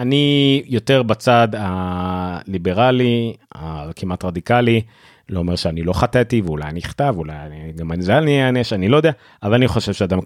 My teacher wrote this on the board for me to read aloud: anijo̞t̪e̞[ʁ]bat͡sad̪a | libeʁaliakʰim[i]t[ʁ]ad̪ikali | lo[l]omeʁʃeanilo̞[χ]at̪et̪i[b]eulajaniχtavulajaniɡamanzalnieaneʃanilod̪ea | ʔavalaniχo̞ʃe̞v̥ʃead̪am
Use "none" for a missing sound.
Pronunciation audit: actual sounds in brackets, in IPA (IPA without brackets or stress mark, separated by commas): ʁ, a, ʁ, none, χ, v